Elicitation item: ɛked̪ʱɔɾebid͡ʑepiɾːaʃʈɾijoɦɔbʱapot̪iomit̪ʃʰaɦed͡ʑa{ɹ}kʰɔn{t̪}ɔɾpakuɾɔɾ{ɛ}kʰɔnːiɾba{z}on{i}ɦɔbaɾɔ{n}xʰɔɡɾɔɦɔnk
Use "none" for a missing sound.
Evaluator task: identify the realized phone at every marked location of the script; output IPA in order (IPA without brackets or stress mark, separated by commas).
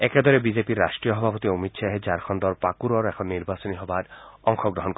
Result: ɾ, d̪, ɛ, s, i, ŋ